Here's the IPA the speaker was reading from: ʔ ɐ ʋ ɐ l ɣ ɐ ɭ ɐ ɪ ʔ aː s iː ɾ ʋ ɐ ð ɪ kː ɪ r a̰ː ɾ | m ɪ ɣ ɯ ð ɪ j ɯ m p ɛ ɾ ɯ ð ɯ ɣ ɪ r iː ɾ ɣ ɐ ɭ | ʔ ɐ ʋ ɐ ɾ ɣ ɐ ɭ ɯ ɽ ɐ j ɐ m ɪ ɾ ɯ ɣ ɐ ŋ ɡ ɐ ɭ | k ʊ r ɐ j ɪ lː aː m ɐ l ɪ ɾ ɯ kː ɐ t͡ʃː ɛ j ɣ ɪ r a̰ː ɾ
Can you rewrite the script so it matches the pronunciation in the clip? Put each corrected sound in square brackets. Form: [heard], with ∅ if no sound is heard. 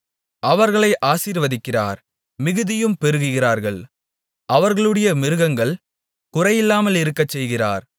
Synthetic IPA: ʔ ɐ ʋ ɐ [ɾ] ɣ ɐ ɭ ɐ ɪ ʔ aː s iː ɾ ʋ ɐ ð ɪ kː ɪ r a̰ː ɾ | m ɪ ɣ ɯ ð ɪ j ɯ m p ɛ ɾ ɯ [ɣ] ɯ ɣ ɪ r [aː] ɾ ɣ ɐ ɭ | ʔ ɐ ʋ ɐ ɾ ɣ ɐ ɭ ɯ ɽ ɐ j ɐ m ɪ ɾ ɯ ɣ ɐ ŋ ɡ ɐ ɭ | k ʊ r ɐ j ɪ lː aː m ɐ l ɪ ɾ ɯ kː ɐ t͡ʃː ɛ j ɣ ɪ r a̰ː ɾ